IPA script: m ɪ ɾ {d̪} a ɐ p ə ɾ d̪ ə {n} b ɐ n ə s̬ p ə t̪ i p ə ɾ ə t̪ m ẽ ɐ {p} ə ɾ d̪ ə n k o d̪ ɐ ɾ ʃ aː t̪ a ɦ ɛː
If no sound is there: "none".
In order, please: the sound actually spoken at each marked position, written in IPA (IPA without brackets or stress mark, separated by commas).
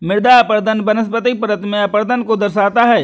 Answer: d̪, n, p